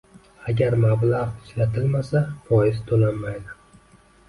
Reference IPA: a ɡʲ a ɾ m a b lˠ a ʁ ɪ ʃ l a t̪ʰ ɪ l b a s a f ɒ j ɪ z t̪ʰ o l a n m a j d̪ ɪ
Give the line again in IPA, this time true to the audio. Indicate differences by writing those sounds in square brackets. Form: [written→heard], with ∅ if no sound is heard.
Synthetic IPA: a ɡʲ a ɾ m a b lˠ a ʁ ɪ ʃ l a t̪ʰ ɪ l [b→m] a s a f ɒ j ɪ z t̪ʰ o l a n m a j d̪ ɪ

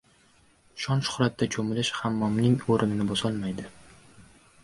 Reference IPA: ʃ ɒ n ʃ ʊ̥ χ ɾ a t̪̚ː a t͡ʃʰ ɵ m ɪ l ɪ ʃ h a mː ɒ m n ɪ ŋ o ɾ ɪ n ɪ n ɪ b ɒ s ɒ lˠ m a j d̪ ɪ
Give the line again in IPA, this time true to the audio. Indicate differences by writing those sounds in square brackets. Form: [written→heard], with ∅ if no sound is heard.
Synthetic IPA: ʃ ɒ n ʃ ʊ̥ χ ɾ a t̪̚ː a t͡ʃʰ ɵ m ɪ l ɪ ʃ h a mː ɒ m n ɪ ŋ o ɾ ɪ n ɪ n ɪ b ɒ s ɒ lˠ m a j d̪ ɪ

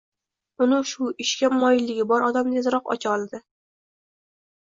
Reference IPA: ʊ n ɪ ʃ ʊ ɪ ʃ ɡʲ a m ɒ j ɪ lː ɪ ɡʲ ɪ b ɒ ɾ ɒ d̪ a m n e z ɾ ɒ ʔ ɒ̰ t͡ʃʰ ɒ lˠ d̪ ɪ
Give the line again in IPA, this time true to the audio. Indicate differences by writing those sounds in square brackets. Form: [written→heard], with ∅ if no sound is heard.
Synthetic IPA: ʊ n ɪ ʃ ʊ ɪ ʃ [ɡʲ→kʲ] a m ɒ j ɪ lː ɪ ɡʲ ɪ b ɒ ɾ ɒ d̪ a m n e z ɾ ɒ [ʔ→q] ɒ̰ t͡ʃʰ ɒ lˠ d̪ ɪ

